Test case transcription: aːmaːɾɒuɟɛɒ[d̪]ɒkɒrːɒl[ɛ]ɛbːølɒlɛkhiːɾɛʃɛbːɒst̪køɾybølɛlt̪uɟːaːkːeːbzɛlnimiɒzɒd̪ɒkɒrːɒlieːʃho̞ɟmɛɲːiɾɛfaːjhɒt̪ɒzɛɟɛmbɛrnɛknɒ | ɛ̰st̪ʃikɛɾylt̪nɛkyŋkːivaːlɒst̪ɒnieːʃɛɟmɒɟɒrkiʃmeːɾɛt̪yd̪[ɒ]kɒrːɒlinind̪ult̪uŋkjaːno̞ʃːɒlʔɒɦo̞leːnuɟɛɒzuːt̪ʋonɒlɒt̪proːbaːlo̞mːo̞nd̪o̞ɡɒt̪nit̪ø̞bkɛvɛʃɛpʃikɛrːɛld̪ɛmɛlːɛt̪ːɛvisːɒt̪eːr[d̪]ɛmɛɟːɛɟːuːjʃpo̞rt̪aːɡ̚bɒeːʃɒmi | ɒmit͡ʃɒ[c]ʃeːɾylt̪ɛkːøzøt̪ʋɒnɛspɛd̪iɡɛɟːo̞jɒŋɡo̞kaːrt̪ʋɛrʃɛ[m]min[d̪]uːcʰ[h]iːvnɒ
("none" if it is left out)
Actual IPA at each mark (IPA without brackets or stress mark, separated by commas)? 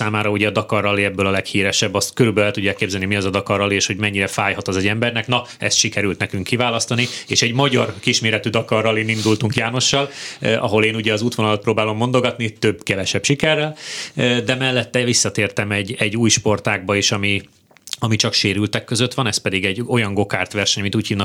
d̪, i, ɒ, t̪, k, ɲ, t̪, h